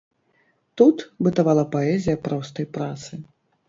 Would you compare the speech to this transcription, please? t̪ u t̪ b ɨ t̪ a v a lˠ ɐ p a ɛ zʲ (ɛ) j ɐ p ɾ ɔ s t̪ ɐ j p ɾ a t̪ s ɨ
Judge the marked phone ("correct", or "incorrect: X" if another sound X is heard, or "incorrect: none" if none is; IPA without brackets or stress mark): incorrect: i